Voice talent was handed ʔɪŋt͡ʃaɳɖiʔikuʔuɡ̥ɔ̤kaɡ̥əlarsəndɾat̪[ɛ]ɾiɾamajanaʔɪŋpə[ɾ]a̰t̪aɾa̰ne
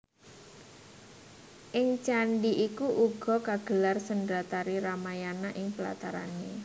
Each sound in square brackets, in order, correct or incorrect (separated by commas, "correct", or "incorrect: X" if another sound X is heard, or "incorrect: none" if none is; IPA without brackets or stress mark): incorrect: a, incorrect: l